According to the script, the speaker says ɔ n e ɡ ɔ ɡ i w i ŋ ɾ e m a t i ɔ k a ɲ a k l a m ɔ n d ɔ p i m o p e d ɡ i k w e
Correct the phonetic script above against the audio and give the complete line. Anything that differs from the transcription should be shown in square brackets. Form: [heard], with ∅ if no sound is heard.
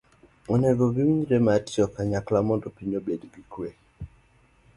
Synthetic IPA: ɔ n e ɡ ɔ ɡ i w i [ɲ] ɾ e m a t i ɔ k a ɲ a k l a m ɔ n d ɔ p i [ɲ] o [b] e d ɡ i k w e